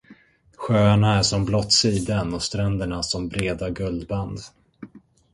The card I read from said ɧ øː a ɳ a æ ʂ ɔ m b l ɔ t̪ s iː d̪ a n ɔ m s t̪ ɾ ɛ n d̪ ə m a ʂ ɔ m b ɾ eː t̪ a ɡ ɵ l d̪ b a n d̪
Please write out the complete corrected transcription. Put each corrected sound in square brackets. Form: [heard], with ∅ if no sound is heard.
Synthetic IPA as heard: ɧ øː a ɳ a æ ʂ ɔ m b l ɔ t̪ s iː d̪ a n ɔ [∅] s t̪ ɾ ɛ n d̪ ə [ɳ] a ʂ ɔ m b ɾ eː [d̪] a ɡ ɵ l d̪ b a n d̪